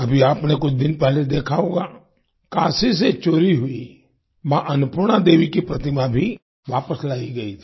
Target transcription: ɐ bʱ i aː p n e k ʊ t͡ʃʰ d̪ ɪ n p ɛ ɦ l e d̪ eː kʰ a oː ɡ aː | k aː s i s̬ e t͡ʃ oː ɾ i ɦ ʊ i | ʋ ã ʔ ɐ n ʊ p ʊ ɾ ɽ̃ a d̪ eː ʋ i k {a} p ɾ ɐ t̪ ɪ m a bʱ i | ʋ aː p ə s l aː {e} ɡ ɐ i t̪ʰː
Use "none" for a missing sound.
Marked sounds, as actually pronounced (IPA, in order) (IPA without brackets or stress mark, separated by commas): i, i